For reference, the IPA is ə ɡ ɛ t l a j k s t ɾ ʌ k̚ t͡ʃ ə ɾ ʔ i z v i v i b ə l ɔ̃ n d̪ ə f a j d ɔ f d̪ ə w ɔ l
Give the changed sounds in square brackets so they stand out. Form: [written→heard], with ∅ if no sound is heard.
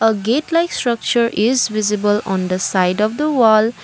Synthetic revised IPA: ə ɡ [ɛ→e] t l a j k s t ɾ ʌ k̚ t͡ʃ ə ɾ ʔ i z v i [v→z] i b ə l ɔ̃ n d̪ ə [f→s] a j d ɔ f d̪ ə w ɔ l